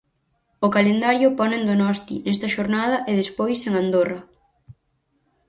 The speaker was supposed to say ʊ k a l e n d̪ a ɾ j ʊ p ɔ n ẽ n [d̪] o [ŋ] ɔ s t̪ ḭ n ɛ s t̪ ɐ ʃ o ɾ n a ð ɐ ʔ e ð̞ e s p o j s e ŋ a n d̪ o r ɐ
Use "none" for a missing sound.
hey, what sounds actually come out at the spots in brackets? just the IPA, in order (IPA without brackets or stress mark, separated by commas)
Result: d̪, n